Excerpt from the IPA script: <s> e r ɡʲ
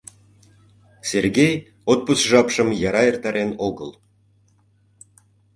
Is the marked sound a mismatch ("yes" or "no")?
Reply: no